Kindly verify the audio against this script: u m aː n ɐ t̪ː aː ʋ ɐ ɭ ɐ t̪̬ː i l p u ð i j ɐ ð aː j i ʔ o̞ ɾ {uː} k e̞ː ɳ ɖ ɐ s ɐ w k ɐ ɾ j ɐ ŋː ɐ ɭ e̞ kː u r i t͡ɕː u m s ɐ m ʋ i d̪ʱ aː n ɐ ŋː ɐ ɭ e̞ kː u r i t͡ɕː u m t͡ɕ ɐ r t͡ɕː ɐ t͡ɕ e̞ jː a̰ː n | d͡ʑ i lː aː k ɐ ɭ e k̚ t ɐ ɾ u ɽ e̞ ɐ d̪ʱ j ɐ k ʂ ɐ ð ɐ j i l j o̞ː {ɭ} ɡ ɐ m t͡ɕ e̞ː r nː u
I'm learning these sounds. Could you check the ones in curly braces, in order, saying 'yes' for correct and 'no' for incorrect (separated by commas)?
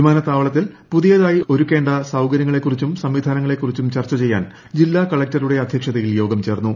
no, no